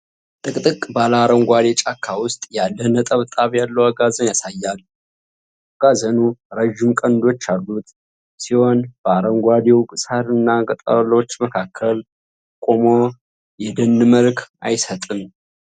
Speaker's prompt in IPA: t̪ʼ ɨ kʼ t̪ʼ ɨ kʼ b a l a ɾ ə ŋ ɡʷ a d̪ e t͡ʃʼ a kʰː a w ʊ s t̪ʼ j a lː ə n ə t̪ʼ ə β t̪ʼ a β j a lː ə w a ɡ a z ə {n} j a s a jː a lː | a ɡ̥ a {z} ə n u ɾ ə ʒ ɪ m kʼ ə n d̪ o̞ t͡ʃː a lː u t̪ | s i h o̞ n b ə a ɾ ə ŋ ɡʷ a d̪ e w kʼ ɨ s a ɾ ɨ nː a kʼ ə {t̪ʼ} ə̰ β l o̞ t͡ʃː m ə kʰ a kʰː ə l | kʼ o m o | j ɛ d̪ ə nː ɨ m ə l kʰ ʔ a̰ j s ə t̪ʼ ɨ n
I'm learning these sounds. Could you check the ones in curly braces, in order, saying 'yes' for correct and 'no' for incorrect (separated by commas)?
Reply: yes, yes, yes